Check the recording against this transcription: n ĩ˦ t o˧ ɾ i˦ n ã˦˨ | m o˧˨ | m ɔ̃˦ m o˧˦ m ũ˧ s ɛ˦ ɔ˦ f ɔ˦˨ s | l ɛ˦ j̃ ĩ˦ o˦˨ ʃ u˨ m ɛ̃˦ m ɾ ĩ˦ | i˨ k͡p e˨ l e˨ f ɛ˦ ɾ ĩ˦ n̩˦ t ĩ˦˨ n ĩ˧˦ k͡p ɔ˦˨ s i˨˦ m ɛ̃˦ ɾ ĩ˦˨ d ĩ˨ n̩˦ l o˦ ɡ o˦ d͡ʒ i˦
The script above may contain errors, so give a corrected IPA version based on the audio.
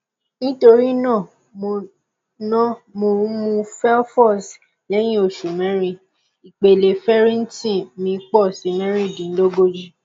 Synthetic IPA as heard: n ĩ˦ t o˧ ɾ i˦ n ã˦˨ | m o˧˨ | n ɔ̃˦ m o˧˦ m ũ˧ f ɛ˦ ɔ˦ f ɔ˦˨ s | l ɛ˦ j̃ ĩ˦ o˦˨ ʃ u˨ m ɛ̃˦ ɾ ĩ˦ | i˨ k͡p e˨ l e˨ f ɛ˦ ɾ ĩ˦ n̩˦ t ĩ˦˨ m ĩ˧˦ k͡p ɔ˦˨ s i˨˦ m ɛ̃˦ ɾ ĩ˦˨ d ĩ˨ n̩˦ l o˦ ɡ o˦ d͡ʒ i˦